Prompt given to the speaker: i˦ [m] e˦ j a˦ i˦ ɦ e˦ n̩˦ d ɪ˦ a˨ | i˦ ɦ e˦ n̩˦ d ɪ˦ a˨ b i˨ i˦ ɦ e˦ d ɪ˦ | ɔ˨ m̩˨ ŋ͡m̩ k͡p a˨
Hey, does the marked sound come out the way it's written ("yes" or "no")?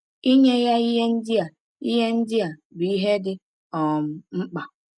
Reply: no